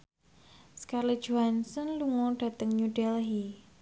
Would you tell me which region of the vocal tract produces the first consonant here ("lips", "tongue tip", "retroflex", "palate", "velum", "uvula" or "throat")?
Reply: tongue tip